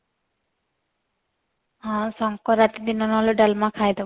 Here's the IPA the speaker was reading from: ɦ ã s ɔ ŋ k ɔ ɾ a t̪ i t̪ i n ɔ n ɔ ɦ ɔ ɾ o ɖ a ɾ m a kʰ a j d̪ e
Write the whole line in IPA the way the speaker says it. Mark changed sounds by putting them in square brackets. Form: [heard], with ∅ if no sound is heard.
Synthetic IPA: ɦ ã s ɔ ŋ k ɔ ɾ a t̪ i [d̪] i n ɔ n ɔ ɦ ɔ [l] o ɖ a [l] m a kʰ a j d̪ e